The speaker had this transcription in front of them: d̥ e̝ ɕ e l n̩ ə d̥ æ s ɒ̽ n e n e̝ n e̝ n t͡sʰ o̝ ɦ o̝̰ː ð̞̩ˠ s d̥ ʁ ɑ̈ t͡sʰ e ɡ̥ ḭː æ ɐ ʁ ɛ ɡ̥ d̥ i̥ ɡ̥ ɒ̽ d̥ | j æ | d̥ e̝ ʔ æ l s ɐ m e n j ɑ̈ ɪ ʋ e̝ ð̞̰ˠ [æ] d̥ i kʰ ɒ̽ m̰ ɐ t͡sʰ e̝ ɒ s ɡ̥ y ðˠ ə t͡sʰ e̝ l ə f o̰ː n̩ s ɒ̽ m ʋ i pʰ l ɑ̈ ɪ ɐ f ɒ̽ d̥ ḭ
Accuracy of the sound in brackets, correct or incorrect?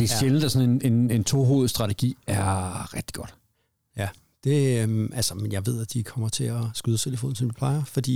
correct